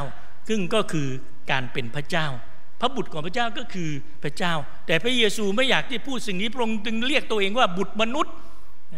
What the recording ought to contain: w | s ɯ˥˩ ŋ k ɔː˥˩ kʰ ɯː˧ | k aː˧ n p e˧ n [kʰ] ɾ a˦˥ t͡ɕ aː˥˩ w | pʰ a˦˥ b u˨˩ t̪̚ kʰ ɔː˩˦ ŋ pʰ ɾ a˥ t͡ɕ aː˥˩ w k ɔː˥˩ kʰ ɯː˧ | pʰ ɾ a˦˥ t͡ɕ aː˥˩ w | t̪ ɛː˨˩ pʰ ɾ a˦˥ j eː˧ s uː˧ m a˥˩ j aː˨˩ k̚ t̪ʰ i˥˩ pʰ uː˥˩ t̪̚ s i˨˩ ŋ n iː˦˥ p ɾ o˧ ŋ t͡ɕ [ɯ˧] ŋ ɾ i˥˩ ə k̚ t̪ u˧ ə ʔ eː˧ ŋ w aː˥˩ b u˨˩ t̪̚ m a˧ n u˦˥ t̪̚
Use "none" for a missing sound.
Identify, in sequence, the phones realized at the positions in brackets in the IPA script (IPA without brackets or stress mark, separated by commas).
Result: pʰ, ɯ˧